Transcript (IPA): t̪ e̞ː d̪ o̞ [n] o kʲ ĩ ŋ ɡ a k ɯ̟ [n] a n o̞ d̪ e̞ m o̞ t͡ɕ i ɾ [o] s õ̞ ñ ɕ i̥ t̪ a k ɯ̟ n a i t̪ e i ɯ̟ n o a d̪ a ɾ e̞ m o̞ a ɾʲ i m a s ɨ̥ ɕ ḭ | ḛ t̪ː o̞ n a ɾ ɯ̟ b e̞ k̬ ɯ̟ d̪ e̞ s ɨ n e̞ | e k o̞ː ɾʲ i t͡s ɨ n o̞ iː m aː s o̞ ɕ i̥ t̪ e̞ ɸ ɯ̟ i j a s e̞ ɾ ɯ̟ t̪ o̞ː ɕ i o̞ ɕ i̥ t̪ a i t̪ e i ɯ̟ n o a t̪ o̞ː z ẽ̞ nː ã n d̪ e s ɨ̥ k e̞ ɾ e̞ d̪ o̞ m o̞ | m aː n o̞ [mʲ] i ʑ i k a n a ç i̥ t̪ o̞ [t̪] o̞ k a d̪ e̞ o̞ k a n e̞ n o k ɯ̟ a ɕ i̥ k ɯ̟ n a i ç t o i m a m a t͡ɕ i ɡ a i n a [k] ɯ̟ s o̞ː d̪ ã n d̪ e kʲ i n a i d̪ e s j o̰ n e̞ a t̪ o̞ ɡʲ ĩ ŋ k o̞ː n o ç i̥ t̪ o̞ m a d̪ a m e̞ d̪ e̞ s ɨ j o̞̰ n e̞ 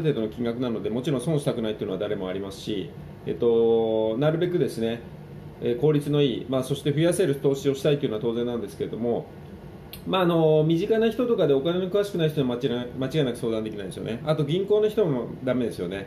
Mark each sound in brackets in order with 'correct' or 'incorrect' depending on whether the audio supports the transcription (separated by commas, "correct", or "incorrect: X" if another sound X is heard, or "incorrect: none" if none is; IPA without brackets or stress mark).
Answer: correct, correct, incorrect: õ, correct, correct, correct